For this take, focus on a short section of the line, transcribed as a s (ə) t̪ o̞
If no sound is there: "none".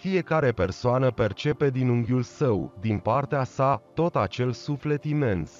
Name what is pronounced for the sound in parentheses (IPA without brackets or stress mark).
a